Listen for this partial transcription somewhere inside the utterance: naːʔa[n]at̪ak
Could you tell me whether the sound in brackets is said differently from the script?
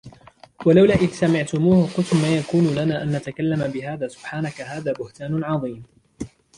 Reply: yes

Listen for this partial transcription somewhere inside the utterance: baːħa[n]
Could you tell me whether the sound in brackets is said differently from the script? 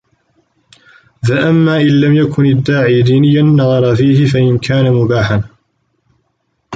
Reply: no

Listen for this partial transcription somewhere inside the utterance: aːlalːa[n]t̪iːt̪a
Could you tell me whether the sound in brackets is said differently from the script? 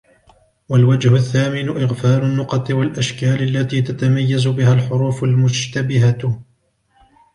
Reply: yes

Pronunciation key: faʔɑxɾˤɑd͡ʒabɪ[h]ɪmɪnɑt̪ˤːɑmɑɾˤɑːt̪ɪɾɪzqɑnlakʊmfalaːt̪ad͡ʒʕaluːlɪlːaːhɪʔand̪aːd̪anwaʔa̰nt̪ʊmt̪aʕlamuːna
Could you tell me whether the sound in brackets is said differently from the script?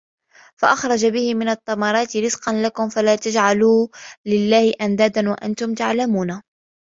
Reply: no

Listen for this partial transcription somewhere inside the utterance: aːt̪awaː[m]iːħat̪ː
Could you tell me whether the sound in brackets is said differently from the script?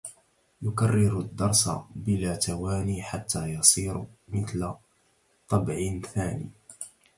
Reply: yes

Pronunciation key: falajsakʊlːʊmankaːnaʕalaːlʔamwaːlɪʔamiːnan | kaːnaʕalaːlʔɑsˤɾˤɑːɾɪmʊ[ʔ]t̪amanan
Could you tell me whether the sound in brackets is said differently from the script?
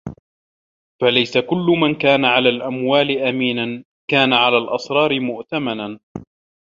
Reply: no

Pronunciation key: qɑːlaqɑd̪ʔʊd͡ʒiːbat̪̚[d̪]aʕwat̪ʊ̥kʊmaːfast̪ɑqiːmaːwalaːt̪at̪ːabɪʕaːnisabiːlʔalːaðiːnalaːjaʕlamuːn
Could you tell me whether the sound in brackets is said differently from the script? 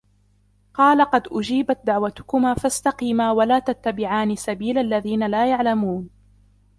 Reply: no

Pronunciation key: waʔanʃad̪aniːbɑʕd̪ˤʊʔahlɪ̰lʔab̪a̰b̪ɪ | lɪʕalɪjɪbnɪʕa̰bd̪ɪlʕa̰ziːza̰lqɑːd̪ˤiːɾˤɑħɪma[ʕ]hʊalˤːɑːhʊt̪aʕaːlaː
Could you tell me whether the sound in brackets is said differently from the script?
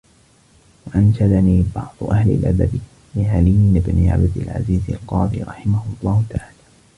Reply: yes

